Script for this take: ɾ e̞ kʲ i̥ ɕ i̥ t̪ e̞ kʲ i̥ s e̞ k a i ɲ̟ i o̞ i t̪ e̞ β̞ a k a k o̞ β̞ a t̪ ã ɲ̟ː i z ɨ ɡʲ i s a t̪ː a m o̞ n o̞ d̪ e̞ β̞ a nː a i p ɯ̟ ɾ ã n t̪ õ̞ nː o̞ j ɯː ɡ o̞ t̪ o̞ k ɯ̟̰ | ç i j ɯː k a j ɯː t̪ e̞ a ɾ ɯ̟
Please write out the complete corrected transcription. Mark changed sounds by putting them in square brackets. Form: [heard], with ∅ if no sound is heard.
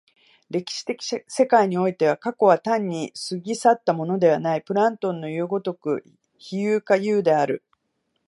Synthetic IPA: ɾ e̞ kʲ i̥ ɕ i̥ t̪ e̞ kʲ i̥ s e̞ k a i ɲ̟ i o̞ i t̪ e̞ β̞ a k a k o̞ β̞ a t̪ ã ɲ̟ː i [s] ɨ ɡʲ i s a t̪ː a m o̞ n o̞ d̪ e̞ β̞ a [n] a i p ɯ̟ ɾ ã n t̪ õ̞ nː o̞ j ɯː ɡ o̞ t̪ o̞ k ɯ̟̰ | ç i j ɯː k a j ɯː [d̪] e̞ a ɾ ɯ̟